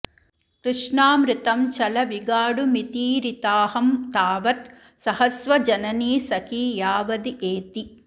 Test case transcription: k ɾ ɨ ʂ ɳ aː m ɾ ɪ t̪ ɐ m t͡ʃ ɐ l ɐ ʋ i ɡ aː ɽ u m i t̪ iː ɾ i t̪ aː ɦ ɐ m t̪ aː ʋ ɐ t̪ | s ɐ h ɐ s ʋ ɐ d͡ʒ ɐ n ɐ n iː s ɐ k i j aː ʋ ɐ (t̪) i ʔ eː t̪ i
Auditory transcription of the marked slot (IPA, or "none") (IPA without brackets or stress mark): d̪